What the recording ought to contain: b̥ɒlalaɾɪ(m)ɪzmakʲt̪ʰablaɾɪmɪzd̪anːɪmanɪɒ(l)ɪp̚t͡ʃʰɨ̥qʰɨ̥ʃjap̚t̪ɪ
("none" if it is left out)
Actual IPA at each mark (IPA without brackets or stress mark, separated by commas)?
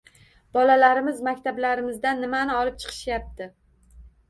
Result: m, l